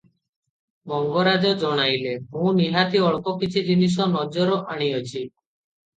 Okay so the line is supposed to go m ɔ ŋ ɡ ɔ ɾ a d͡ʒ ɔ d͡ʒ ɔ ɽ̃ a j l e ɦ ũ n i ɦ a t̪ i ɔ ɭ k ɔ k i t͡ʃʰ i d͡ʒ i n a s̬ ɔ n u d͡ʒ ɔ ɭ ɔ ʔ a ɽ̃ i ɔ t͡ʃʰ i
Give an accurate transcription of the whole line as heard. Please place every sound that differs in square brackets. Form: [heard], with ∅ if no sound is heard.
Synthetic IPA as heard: m ɔ ŋ ɡ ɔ ɾ a d͡ʒ ɔ d͡ʒ ɔ ɽ̃ a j l e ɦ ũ n i ɦ a t̪ i ɔ ɭ k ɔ k i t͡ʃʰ i d͡ʒ i n [i] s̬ ɔ n [ɔ] d͡ʒ ɔ [ɾ] ɔ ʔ a ɽ̃ i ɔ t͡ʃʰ i